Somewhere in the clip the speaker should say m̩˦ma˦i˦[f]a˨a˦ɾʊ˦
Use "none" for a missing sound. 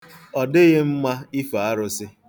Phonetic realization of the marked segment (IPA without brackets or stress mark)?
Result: f